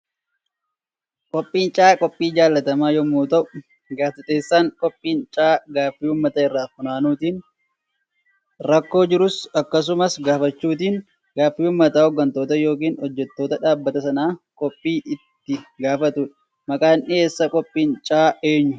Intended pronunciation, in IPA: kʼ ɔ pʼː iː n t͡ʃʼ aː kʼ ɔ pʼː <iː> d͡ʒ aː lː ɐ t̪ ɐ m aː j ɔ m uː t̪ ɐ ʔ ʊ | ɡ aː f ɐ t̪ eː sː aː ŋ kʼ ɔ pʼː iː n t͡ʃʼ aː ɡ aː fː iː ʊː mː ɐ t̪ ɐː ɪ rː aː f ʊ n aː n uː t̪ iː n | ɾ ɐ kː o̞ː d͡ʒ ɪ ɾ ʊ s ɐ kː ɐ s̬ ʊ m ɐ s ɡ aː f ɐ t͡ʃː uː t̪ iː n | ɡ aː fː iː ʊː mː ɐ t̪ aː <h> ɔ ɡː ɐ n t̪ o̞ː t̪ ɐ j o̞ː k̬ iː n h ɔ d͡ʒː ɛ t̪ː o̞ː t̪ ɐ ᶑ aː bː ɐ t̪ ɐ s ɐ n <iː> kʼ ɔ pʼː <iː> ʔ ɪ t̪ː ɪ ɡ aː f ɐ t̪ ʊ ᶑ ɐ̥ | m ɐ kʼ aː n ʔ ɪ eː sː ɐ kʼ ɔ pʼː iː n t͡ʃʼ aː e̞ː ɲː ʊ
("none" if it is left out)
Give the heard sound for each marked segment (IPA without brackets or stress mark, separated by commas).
iː, h, aː, iː